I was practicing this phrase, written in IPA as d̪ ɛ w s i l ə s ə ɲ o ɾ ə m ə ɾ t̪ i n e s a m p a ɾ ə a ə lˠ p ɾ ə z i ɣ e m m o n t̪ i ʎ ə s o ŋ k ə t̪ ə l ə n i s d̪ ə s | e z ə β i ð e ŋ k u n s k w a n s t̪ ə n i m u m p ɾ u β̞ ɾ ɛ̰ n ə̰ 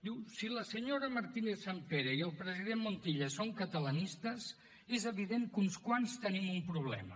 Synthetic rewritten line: d̪ i w s i l ə s ə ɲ o ɾ ə m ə ɾ t̪ i n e s a m p e ɾ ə i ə lˠ p ɾ ə z i ð e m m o n t̪ i ʎ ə s o ŋ k ə t̪ ə l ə n i s t̪ ə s | e z ə β i ð e ŋ k u n s k w a n s t̪ ə n i m u m p ɾ u β̞ l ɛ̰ m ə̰